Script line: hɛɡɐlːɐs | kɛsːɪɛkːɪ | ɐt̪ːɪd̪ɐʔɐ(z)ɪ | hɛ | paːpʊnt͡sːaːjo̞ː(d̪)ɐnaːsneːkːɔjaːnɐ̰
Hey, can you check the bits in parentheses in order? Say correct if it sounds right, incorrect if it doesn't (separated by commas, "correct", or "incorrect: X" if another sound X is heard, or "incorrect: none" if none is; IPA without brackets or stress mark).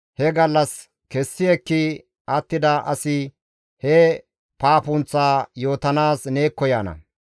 incorrect: s, incorrect: t̪